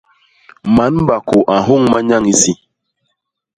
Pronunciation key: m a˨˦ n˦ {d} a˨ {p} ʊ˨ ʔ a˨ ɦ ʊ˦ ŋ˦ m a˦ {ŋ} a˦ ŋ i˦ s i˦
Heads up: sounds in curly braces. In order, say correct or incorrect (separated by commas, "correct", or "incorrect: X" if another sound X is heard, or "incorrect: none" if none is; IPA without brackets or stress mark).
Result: incorrect: b, incorrect: k, incorrect: ɲ